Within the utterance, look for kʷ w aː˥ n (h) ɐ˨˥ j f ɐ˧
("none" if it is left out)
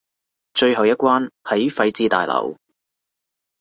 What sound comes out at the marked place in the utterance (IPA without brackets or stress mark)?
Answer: h